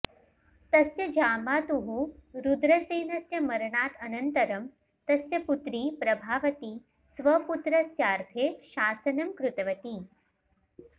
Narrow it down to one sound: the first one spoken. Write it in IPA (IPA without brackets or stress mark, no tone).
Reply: t̪